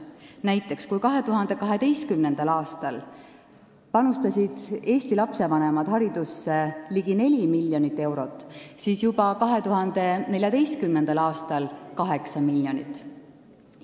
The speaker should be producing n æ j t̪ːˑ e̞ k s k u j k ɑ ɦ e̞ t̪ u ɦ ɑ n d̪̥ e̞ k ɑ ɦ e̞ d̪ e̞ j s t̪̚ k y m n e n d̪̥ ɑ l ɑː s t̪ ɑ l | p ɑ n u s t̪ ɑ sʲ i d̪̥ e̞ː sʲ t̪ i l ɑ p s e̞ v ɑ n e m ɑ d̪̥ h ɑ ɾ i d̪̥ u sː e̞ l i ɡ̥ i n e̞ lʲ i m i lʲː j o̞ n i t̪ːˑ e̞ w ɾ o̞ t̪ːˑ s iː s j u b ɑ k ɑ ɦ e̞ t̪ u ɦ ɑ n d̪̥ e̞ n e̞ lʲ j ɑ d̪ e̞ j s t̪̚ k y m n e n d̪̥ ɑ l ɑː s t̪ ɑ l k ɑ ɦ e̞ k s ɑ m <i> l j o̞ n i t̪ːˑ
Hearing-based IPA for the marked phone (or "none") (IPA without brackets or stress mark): i